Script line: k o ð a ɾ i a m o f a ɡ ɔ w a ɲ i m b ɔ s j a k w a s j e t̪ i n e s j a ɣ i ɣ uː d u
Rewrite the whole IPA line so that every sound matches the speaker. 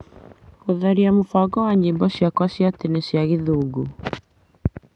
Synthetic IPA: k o ð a ɾ i a m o f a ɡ ɔ w a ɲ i m b ɔ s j a k w a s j a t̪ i n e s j a ɣ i ð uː ɡ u